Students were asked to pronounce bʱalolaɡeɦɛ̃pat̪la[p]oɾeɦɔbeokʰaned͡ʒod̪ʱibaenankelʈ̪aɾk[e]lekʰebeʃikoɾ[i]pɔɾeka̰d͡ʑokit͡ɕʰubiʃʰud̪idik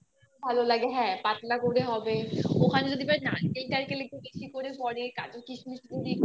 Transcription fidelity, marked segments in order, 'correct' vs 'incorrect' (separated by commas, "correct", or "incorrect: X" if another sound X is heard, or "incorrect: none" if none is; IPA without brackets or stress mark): incorrect: k, correct, incorrect: e